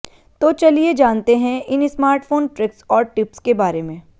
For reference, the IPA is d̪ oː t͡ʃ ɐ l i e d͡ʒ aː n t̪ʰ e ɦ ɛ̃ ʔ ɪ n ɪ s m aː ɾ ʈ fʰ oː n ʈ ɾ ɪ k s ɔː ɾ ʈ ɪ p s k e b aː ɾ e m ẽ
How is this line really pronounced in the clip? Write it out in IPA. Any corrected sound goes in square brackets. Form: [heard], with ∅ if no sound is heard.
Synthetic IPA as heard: [t̪] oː t͡ʃ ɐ l i e d͡ʒ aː n [t̪] e ɦ ɛ̃ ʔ ɪ n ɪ s m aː ɾ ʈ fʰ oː n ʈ ɾ ɪ k s ɔː ɾ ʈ ɪ p s k e b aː ɾ e m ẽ